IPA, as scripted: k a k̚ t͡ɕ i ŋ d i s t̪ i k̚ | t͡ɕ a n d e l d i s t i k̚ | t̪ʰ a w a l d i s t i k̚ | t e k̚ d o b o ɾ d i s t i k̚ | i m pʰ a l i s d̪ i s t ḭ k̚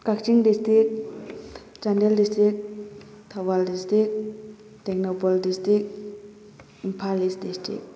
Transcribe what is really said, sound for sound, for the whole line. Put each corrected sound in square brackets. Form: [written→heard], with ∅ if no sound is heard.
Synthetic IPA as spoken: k a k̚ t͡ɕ i ŋ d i s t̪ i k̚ | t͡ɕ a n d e l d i s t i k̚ | t̪ʰ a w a l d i s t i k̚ | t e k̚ [d→n] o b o [ɾ→l] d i s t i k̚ | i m pʰ a l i s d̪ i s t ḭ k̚